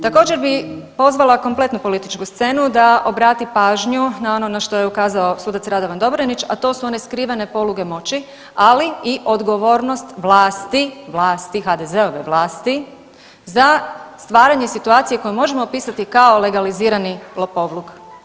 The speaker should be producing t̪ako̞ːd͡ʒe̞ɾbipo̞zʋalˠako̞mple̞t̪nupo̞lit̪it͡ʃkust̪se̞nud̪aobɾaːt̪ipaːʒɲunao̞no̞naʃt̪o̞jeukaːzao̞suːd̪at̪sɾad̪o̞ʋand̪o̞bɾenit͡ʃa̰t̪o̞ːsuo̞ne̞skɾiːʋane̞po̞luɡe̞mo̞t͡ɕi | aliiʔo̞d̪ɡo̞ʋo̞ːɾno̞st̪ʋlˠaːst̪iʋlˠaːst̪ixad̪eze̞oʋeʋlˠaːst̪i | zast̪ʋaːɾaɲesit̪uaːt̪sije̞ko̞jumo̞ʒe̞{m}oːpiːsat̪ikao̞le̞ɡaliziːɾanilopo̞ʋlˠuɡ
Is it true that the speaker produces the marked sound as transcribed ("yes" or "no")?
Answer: yes